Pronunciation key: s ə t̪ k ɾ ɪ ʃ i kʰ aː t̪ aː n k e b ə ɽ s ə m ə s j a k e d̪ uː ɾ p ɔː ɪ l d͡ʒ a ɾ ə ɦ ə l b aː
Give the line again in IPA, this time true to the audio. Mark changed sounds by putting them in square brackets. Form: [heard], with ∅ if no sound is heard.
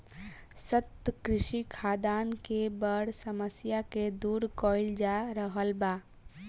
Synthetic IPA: s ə t̪ k ɾ ɪ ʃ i kʰ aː [d̪] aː n k e b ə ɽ s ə m ə s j a k e d̪ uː ɾ [k] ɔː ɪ l d͡ʒ a ɾ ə ɦ ə l b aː